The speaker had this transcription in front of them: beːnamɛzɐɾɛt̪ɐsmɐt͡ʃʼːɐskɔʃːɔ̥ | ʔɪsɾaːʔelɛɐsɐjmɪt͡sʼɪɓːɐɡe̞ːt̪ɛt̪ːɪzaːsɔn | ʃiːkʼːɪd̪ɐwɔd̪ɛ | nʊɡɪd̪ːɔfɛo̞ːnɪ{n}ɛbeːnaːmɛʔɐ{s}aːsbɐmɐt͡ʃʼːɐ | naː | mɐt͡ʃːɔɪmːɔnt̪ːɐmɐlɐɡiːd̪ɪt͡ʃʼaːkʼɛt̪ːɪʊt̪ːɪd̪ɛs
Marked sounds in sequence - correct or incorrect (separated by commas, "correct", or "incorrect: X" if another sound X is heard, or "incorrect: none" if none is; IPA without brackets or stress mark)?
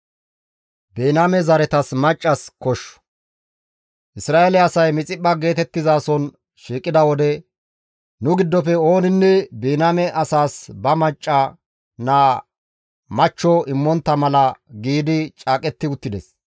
incorrect: nː, correct